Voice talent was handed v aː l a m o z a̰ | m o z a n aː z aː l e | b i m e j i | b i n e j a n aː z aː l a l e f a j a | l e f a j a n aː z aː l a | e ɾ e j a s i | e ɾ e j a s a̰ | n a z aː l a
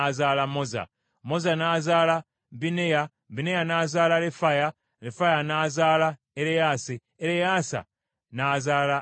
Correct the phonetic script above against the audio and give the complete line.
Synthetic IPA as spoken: z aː l a m o z a̰ | m o z a n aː z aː l a | b i n e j a | b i n e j a n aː z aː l a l e f a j a | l e f a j a n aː z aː l a | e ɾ e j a s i | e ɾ e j a s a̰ | n a z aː l a

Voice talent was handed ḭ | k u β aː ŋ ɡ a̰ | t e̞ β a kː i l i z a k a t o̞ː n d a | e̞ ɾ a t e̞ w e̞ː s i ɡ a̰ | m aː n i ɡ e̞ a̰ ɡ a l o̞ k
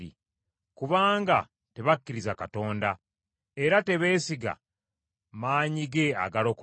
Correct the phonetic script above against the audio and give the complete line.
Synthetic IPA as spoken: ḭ | k u β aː ŋ ɡ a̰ | t e̞ β a kː i ɾ i z a k a t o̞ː n d a | e̞ ɾ a t e̞ β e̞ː s i ɡ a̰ | m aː ɲ i ɡ e̞ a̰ ɡ a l o̞ k

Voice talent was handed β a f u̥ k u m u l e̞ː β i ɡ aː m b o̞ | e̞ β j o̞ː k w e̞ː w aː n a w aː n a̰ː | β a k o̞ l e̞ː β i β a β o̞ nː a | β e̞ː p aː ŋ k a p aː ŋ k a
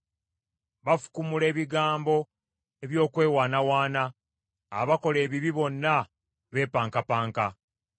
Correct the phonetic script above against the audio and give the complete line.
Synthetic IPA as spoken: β a f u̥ k u m u l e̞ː β i ɡ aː m b o̞ | e̞ β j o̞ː k w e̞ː w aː n a w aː n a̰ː | β a k o̞ l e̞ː β i β i β o̞ nː a | β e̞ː p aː ŋ k a p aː ŋ k a

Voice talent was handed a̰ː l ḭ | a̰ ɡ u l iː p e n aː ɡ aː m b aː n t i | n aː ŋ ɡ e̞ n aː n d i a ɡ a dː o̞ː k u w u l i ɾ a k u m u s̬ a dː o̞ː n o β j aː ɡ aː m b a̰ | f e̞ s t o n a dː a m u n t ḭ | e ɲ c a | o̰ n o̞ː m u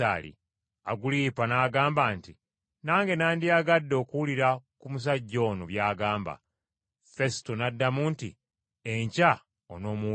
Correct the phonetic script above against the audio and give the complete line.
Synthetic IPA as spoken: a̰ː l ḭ | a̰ ɡ u l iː p a n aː ɡ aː m b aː n t i | n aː ŋ ɡ e̞ n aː n d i a ɡ a dː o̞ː k u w u l i ɾ a k u m u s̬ a ɟː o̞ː n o β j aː ɡ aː m b a̰ | f e̞ s t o n a dː a m u n t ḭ | e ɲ c a | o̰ n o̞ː m u

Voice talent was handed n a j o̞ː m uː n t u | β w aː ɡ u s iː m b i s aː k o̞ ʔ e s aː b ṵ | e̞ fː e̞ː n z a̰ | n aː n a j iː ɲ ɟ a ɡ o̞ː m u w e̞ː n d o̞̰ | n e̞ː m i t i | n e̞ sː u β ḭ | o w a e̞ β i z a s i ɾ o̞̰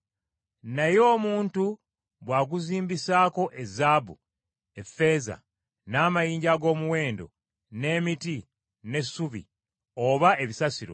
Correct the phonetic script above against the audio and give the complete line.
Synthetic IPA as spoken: n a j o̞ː m uː n t u | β w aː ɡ u z iː m b i s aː k o̞ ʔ e z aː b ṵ | e̞ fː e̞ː z a̰ | n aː m a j iː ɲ ɟ a ɡ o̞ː m u w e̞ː n d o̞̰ | n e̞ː m i t i | n e̞ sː u β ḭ | o β a e̞ β i s a s i ɾ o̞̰

